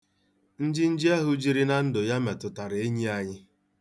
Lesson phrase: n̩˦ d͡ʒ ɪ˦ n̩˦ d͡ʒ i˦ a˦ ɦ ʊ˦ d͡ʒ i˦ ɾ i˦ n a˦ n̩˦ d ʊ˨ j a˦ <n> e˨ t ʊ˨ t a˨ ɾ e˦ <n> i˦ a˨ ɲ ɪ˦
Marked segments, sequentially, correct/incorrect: incorrect, incorrect

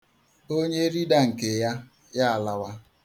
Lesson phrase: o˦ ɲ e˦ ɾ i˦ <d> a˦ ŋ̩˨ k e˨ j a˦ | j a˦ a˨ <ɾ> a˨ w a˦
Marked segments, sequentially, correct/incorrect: correct, incorrect

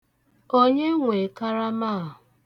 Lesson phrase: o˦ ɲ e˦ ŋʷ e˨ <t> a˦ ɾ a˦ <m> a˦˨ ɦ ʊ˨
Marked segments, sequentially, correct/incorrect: incorrect, correct

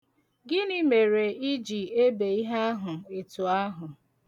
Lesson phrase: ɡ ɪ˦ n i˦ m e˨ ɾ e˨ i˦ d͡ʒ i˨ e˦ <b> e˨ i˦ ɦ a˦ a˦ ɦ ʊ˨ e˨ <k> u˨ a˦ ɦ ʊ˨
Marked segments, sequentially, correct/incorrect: correct, incorrect

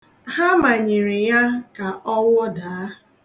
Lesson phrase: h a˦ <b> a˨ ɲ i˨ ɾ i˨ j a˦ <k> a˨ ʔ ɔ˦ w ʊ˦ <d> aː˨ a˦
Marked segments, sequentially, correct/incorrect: incorrect, correct, correct

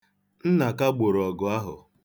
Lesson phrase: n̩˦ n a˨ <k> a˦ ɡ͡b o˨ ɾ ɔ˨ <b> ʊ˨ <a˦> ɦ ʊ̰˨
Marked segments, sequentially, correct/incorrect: correct, incorrect, correct

